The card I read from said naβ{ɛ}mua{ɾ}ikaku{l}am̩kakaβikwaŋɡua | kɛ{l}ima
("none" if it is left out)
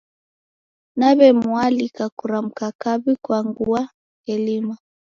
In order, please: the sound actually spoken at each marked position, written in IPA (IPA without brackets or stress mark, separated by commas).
ɛ, l, ɾ, l